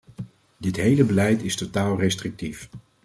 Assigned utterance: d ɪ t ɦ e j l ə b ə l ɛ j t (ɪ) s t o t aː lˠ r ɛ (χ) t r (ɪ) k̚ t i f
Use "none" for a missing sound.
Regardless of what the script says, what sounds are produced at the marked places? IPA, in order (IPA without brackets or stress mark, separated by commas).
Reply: ɪ, s, ɪ